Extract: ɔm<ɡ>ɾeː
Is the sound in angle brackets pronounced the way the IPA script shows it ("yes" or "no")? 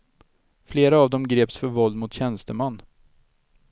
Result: yes